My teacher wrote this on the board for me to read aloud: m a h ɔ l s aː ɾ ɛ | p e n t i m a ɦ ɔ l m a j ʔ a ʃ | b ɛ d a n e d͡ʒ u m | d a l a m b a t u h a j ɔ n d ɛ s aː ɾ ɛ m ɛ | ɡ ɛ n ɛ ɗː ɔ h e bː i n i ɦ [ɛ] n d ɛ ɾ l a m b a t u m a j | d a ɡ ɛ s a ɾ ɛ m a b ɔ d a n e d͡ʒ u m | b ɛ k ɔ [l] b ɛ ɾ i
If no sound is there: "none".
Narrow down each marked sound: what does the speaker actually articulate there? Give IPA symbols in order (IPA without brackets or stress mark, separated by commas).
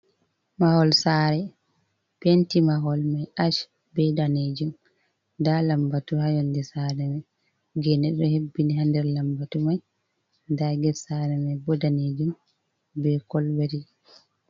a, l